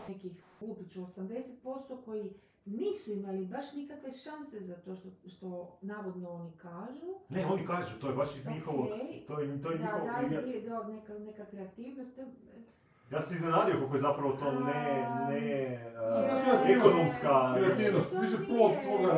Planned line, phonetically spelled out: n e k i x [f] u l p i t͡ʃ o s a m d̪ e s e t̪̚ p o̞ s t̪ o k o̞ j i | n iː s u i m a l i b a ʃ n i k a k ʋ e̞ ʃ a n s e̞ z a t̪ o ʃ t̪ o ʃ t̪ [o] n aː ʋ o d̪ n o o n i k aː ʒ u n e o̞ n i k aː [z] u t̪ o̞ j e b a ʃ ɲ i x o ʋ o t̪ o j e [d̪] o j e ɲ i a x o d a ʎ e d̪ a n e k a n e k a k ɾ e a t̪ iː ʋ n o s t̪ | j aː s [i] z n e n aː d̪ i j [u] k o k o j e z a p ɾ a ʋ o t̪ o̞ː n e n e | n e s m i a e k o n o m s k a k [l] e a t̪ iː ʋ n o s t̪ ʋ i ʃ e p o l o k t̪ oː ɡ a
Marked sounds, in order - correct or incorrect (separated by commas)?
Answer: correct, correct, incorrect, incorrect, correct, incorrect, incorrect